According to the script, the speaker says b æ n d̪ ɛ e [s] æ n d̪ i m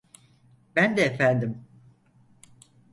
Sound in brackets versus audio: incorrect: f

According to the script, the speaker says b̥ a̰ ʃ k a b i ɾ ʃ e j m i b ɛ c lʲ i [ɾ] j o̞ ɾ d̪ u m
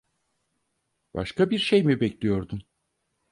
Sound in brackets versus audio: incorrect: none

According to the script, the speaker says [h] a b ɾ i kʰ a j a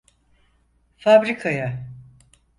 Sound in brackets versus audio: incorrect: f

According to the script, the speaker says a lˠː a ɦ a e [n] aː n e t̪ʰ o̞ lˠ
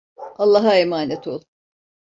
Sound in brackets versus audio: incorrect: m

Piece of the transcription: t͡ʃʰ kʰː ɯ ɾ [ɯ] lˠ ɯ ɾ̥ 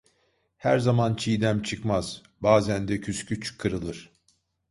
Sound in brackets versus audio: correct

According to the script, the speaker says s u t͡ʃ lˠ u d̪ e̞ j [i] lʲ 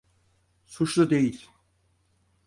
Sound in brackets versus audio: correct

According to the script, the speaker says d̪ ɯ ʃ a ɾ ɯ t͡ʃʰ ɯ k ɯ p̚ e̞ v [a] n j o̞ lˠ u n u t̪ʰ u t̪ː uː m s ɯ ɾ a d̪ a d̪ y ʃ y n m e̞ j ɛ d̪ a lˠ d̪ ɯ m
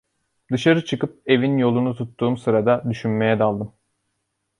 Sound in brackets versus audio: incorrect: i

